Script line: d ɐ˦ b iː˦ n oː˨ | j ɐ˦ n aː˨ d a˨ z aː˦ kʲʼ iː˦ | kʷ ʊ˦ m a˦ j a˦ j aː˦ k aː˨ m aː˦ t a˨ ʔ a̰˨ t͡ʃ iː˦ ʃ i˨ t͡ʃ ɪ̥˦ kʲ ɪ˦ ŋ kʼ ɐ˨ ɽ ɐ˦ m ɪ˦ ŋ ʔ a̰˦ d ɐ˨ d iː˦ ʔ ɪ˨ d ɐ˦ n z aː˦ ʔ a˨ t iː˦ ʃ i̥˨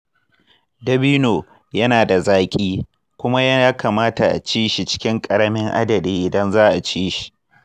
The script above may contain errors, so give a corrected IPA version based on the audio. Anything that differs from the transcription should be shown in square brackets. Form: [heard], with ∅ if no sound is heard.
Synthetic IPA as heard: d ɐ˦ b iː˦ n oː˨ | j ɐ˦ n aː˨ d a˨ z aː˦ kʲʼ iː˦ | kʷ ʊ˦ m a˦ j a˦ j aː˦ k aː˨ m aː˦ t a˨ ʔ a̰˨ t͡ʃ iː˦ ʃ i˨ t͡ʃ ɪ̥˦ kʲ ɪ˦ ŋ kʼ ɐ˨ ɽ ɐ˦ m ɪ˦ ŋ ʔ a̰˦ d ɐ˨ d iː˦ ʔ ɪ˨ d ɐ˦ n z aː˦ ʔ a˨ [t͡ʃ] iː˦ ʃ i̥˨

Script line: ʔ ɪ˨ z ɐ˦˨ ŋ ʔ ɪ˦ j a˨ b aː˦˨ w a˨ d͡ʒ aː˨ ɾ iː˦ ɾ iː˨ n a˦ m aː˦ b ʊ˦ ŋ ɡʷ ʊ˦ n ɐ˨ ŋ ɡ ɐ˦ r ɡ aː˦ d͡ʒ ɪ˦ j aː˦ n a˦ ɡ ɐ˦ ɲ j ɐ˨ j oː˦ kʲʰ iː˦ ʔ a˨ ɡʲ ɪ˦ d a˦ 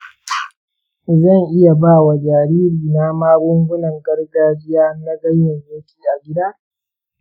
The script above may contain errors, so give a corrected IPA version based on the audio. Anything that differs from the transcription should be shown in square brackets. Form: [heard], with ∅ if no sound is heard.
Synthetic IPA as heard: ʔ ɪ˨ z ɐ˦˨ ŋ ʔ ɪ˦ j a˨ b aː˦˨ w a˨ d͡ʒ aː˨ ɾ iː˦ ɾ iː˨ n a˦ m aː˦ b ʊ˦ ŋ ɡʷ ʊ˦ n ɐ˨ ŋ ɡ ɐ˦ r ɡ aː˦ d͡ʒ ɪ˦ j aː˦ n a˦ ɡ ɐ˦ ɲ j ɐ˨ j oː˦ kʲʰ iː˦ ʔ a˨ ɡʲ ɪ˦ d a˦

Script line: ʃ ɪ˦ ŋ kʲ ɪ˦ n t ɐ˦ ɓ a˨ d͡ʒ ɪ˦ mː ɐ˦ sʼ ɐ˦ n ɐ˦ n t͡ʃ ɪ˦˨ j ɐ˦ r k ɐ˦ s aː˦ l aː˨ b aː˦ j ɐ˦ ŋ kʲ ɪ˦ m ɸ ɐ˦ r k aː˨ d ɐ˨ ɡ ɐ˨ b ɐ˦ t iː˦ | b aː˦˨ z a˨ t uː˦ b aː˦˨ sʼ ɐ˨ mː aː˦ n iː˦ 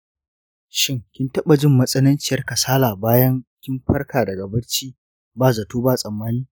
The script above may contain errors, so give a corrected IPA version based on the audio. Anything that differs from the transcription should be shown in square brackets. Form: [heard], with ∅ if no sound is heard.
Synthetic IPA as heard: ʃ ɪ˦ ŋ kʲ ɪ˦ n t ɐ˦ ɓ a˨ d͡ʒ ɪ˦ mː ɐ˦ sʼ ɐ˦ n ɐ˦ n t͡ʃ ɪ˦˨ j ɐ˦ r k [ɐ˨] s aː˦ l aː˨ b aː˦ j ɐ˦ ŋ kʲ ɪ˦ m ɸ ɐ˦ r k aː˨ d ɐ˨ ɡ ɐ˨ b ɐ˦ [t͡ʃ] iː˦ | b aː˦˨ z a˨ t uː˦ b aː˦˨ sʼ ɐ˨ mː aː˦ n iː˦

